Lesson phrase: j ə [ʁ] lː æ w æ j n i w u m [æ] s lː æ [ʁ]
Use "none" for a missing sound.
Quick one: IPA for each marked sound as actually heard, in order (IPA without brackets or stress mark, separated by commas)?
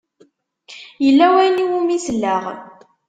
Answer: none, i, ʁ